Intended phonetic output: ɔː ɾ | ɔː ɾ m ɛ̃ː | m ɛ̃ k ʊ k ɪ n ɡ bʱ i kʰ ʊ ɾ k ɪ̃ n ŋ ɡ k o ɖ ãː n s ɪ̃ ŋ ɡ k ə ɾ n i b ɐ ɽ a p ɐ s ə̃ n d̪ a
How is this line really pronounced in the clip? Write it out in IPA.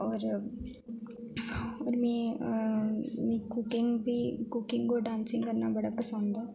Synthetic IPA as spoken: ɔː ɾ | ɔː ɾ m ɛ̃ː | m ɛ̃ k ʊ k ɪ ŋ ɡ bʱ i k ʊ k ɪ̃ ŋ ɡ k o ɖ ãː n s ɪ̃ ŋ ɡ k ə ɾ n a b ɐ ɽ a p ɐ s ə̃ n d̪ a